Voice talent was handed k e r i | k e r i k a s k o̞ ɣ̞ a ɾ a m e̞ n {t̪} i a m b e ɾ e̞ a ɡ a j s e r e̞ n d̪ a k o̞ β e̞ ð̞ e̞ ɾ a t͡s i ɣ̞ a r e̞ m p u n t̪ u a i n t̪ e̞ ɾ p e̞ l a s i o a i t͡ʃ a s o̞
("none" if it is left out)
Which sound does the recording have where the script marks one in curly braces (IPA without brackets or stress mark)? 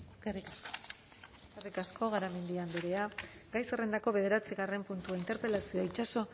d̪